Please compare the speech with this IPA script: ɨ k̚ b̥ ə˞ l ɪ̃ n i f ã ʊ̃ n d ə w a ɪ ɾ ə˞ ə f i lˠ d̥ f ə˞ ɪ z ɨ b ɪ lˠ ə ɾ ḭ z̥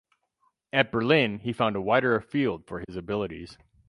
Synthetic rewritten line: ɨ t̚ b̥ ə˞ l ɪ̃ n i f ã ʊ̃ n d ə w a ɪ ɾ ə˞ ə f i lˠ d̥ f ə˞ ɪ z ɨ b ɪ lˠ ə ɾ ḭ z̥